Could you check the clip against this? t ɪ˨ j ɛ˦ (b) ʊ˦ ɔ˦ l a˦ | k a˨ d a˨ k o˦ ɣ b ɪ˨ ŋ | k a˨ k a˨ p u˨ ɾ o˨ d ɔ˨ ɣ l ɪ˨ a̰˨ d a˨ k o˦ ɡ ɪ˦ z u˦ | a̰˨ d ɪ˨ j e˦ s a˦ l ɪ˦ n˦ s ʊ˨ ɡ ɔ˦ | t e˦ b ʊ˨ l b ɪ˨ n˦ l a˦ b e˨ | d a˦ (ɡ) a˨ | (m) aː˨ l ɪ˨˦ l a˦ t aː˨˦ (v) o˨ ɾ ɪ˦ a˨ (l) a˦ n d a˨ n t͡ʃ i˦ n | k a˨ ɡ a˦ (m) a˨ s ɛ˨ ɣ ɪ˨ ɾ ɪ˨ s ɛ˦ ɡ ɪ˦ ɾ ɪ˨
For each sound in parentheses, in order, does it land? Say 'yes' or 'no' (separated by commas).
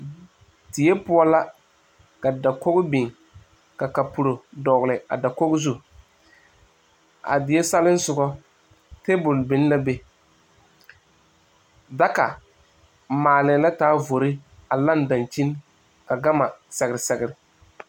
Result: no, no, yes, yes, yes, yes